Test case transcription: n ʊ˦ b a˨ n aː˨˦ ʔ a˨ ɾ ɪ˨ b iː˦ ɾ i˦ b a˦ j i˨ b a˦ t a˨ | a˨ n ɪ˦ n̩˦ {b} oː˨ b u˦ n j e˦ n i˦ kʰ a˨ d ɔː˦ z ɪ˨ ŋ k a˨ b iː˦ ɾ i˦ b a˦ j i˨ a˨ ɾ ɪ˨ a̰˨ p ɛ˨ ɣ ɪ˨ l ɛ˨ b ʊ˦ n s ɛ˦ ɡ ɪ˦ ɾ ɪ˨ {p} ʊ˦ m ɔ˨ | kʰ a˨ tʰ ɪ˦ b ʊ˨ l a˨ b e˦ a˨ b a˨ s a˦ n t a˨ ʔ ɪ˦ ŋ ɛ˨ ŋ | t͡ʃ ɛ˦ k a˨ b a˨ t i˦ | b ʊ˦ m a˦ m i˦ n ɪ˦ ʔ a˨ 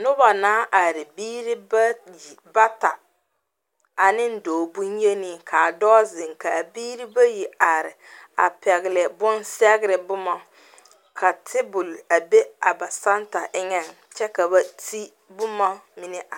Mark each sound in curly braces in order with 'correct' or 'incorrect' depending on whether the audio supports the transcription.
incorrect, incorrect

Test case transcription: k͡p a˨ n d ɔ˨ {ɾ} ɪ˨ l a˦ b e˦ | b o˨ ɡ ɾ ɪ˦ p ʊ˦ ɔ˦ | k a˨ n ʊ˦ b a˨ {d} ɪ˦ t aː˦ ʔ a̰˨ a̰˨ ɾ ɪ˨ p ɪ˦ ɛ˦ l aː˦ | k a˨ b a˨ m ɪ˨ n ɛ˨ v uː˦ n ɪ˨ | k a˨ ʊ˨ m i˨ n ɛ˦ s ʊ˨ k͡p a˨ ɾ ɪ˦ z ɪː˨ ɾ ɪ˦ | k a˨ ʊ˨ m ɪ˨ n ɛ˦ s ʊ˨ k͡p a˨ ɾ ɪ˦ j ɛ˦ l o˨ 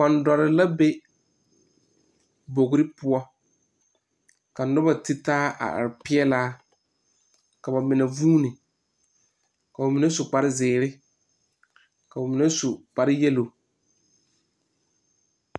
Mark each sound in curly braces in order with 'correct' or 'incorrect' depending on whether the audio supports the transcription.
correct, incorrect

